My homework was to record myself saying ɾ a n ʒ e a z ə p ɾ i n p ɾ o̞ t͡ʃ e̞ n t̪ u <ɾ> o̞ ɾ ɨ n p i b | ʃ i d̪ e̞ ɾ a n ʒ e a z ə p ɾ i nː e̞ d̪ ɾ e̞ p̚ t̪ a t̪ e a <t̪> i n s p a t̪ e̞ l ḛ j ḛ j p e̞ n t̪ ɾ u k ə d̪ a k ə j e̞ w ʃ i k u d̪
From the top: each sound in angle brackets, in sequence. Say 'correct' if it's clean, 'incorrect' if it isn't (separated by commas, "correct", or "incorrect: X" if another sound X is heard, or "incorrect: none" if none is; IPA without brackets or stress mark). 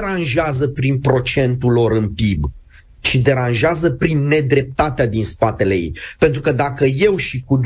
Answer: incorrect: l, incorrect: d̪